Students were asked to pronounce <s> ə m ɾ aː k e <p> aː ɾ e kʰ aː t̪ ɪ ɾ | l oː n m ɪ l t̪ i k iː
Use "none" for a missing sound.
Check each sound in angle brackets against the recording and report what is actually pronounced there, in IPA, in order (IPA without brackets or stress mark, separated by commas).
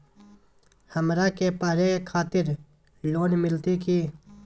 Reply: h, p